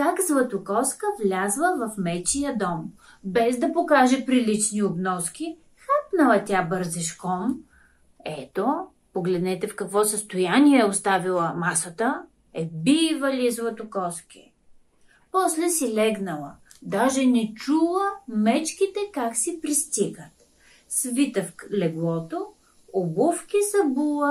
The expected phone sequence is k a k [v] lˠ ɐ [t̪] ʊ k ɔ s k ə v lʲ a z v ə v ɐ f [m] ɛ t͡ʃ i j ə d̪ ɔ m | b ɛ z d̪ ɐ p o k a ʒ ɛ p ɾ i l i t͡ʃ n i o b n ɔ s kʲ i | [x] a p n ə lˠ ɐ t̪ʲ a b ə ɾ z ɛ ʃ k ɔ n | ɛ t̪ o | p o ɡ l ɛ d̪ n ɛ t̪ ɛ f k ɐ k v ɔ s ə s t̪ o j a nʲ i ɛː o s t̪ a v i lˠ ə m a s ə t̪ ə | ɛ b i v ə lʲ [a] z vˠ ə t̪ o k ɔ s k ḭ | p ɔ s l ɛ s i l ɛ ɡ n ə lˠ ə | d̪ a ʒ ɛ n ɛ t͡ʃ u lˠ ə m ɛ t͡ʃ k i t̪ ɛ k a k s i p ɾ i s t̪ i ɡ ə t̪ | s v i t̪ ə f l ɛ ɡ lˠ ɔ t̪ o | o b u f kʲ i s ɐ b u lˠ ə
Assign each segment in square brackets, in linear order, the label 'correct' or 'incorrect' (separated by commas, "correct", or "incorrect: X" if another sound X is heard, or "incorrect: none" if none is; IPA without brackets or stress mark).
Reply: incorrect: z, correct, correct, correct, incorrect: i